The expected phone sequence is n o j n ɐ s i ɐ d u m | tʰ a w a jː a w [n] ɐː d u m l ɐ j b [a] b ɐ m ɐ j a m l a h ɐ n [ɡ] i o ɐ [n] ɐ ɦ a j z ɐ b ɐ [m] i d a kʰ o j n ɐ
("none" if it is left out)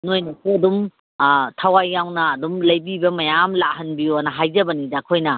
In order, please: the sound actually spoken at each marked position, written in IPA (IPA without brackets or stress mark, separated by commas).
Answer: n, i, b, n, n